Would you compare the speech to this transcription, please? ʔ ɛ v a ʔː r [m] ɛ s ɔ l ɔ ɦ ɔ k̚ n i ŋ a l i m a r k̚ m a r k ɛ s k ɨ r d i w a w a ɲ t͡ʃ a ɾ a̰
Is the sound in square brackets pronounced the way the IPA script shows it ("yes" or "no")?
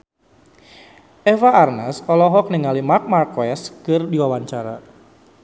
no